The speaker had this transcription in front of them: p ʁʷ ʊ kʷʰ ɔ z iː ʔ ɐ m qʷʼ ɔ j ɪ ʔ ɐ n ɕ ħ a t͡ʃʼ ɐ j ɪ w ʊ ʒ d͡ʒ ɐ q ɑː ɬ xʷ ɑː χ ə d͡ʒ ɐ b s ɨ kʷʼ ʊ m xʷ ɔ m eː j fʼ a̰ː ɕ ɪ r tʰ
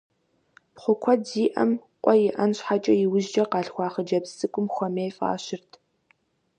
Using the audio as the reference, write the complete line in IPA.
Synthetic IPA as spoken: p χʷ ʊ kʷʰ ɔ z iː ʔ ɐ m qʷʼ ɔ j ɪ ʔ ɐ n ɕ ħ a t͡ʃʼ ɐ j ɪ w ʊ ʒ d͡ʒ ɐ q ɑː ɬ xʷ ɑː χ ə d͡ʒ ɐ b s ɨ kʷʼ ʊ m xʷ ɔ m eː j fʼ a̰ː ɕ ɪ r tʰ